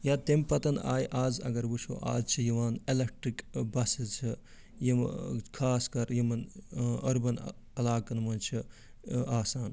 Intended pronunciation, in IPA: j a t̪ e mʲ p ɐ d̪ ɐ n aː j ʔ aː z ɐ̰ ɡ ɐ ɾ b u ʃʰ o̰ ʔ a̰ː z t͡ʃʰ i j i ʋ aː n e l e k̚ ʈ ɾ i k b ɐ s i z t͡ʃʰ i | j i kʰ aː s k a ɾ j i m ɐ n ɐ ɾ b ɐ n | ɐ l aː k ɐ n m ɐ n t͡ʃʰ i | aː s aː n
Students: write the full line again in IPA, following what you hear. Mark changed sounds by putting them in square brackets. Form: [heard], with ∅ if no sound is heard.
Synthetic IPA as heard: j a t̪ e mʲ p ɐ [t̪] ɐ n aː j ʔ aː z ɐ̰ ɡ ɐ ɾ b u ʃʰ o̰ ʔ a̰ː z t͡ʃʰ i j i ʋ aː n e l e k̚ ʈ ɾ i k b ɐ s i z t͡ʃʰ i | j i kʰ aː s k [ɐ] ɾ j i m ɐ n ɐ ɾ b ɐ n | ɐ l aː k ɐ n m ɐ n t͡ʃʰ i | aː s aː n